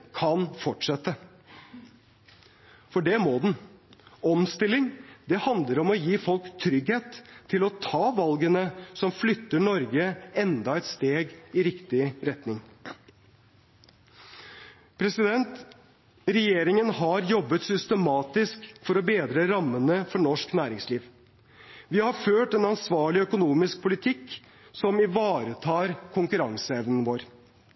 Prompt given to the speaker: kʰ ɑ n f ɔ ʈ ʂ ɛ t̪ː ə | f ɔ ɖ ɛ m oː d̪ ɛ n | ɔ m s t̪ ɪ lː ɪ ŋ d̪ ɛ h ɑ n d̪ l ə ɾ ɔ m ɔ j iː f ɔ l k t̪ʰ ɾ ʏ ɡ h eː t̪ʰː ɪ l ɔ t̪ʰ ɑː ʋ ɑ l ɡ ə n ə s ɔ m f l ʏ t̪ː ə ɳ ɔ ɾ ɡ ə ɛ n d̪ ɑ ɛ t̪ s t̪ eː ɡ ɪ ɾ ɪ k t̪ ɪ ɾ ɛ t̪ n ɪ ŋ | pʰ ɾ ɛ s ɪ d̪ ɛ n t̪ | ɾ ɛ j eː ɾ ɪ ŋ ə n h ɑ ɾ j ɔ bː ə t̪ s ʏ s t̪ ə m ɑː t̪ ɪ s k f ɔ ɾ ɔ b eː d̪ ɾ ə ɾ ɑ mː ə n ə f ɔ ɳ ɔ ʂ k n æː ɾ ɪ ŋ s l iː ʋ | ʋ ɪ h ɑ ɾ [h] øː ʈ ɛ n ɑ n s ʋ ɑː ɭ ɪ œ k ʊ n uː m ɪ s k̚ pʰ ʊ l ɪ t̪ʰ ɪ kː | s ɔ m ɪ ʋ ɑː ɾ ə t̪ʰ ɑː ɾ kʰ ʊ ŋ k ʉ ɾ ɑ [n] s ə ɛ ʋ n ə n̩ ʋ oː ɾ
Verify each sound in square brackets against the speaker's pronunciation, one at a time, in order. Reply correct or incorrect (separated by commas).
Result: incorrect, incorrect